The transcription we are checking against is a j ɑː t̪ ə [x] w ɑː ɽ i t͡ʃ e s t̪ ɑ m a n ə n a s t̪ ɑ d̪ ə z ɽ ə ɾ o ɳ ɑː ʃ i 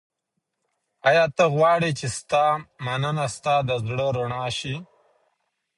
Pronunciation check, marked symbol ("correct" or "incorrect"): incorrect